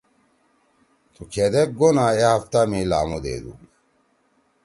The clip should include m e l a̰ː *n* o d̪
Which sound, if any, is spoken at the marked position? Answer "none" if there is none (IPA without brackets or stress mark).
m